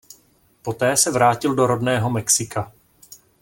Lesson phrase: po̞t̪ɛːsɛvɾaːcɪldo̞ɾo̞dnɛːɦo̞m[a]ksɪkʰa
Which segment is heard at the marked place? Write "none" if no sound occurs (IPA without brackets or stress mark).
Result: ɛ